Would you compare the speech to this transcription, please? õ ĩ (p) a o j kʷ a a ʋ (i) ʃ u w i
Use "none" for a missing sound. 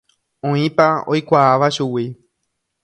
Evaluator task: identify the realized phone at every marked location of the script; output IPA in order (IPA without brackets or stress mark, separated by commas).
p, a